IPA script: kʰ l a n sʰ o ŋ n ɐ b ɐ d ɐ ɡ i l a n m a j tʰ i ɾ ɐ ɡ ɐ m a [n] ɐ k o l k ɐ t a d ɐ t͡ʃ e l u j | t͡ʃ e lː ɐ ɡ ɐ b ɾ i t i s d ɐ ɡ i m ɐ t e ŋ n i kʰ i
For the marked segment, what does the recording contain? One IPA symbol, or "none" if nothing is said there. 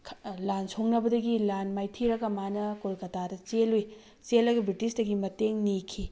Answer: n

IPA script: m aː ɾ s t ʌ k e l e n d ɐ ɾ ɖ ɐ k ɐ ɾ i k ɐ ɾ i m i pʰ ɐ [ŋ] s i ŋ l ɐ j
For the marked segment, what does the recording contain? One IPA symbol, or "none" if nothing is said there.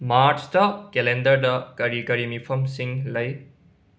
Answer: m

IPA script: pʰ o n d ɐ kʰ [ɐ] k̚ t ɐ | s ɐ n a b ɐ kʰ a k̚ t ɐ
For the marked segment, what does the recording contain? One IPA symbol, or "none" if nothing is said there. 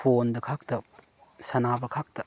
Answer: a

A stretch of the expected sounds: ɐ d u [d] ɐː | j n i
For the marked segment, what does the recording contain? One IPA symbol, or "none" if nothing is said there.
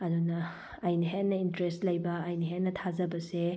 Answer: n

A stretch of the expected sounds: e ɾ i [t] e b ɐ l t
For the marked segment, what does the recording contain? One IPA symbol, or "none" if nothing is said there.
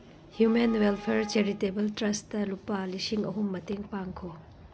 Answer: t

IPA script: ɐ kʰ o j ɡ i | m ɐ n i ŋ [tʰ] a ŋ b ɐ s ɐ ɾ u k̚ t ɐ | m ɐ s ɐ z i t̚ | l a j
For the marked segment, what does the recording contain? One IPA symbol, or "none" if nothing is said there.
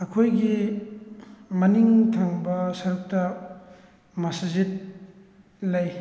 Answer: tʰ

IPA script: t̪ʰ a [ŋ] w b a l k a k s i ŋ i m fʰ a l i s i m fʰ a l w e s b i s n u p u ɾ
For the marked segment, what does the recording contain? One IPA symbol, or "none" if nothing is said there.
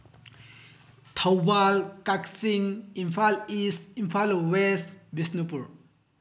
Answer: none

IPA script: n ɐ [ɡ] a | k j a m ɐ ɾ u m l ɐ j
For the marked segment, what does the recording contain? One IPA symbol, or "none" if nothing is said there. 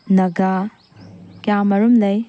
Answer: ɡ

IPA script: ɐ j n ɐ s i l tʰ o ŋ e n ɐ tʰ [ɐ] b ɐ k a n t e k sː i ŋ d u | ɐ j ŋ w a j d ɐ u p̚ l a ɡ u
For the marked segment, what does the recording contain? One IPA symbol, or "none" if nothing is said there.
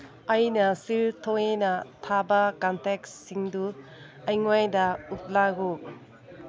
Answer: a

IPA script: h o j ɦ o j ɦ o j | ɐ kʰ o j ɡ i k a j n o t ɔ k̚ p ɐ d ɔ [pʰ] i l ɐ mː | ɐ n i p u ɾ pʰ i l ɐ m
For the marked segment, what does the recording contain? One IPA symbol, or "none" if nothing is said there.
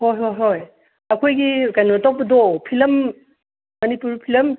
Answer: pʰ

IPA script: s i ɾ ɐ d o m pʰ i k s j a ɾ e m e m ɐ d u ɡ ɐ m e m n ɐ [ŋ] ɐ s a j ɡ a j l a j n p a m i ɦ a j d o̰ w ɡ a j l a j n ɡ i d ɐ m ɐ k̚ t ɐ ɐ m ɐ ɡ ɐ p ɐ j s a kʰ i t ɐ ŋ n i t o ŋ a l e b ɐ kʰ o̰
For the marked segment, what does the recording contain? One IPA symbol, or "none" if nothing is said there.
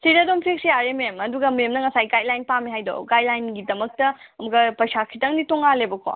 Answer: ŋ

